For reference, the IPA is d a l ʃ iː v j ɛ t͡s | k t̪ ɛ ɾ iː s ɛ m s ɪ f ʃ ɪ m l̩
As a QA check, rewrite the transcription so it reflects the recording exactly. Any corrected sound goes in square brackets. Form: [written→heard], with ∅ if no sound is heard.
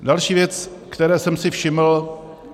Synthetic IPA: d a l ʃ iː v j ɛ t͡s | k t̪ ɛ ɾ [iː→ɛː] s ɛ m s ɪ f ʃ ɪ m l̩